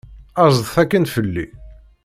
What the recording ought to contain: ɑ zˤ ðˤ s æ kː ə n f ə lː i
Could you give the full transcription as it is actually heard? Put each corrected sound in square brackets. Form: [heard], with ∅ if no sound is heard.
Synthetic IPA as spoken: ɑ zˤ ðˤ [θ] æ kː ə n f ə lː i

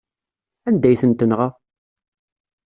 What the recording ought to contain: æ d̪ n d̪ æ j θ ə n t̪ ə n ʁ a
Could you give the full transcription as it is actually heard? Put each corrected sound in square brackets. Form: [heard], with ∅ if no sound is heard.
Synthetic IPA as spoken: æ [∅] n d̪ æ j θ ə n t̪ ə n ʁ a

